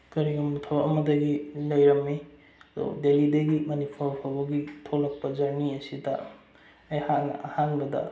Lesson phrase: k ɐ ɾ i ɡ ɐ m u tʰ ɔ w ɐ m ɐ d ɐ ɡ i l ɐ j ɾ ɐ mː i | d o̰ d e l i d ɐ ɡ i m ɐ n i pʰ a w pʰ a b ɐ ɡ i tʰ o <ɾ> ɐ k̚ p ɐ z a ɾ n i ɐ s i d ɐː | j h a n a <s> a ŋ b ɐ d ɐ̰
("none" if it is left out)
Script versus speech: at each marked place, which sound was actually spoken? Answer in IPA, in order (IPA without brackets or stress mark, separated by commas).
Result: l, h